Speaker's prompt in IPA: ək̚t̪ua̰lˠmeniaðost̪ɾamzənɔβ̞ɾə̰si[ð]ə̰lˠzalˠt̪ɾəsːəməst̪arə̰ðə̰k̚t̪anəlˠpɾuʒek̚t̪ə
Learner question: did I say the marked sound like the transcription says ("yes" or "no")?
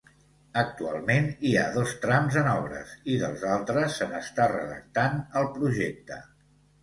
yes